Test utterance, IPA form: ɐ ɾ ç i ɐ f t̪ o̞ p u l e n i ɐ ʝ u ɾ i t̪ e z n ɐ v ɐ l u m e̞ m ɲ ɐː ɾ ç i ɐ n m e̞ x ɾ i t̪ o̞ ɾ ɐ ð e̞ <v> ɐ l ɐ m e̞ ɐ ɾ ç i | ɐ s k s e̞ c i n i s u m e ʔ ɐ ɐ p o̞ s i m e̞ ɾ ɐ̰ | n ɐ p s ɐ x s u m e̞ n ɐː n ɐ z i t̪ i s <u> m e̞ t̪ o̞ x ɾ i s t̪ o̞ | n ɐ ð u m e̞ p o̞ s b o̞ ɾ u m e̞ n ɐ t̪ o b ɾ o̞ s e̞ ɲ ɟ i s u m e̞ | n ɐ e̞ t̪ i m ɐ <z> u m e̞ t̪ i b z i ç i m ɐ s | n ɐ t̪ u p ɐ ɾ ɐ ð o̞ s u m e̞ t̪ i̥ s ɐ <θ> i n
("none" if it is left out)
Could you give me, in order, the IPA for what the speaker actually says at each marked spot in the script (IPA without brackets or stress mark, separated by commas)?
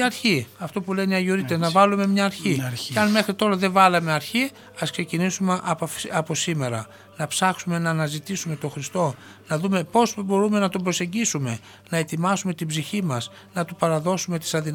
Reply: v, u, s, ð